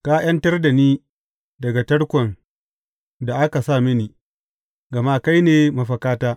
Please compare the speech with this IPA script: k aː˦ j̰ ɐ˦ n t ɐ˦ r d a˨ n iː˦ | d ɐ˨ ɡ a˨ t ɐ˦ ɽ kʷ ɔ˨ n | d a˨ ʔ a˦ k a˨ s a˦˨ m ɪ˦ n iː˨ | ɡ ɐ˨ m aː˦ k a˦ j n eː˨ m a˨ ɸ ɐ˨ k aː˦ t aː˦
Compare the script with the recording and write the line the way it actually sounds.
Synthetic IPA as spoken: k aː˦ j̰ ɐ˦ n t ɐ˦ r d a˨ n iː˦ | d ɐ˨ ɡ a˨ t ɐ˦ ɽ kʷ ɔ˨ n | d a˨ ʔ a˦ k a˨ s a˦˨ m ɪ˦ n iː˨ | ɡ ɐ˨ m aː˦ k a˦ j n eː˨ m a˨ ɸ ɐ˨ k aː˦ t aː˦